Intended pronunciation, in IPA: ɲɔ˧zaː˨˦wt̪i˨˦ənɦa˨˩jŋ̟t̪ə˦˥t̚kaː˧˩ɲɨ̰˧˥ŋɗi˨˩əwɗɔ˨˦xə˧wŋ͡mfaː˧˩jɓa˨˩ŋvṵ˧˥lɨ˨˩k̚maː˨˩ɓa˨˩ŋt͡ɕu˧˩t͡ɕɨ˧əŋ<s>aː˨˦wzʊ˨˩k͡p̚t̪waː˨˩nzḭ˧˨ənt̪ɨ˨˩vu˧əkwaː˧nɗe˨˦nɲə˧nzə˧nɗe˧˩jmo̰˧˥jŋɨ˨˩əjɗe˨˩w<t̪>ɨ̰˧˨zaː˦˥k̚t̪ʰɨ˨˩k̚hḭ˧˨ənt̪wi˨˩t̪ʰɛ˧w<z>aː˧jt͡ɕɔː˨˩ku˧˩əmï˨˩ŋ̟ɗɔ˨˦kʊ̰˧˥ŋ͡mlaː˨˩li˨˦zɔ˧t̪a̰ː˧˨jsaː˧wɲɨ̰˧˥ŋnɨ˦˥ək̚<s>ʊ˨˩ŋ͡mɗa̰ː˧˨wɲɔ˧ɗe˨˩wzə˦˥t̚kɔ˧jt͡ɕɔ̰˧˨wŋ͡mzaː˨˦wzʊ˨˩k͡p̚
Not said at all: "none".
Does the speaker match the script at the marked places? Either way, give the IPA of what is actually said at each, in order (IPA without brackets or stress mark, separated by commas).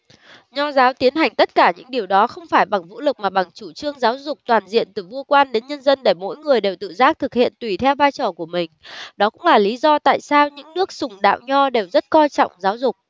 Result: z, t̪, v, s